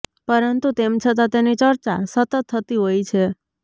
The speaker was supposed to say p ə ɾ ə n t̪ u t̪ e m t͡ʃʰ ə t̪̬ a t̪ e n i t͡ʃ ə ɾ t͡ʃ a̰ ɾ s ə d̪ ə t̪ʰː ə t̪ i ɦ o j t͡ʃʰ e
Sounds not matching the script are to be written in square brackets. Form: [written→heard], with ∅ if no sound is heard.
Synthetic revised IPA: p ə ɾ ə n t̪ u t̪ e m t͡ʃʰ ə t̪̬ a t̪ e n i t͡ʃ ə ɾ t͡ʃ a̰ [ɾ→∅] s ə [d̪→t̪] ə t̪ʰː ə t̪ i ɦ o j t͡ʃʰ e